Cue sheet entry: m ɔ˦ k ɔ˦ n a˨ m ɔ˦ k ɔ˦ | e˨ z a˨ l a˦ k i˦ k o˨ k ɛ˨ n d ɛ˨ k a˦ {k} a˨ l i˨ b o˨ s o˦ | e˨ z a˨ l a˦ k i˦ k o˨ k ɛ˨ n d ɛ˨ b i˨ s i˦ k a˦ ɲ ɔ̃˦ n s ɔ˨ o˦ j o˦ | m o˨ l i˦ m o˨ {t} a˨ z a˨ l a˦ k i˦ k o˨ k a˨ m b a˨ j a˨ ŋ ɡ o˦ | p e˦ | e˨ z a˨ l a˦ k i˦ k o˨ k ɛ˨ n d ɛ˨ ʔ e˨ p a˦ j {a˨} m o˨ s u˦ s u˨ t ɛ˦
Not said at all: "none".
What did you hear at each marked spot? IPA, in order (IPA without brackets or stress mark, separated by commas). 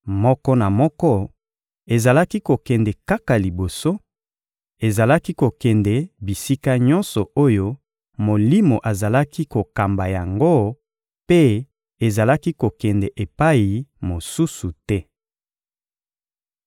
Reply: k, ʔ, i˨